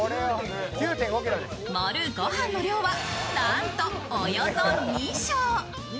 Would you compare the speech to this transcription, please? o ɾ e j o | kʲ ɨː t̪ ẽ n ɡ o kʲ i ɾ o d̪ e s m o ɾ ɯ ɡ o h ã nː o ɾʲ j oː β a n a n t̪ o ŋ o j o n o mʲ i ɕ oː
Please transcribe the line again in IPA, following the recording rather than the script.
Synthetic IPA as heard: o ɾ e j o | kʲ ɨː t̪ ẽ ŋ ɡ o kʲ i ɾ o d̪ e s m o ɾ ɯ ɡ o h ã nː o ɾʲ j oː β a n a n t̪ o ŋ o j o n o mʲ i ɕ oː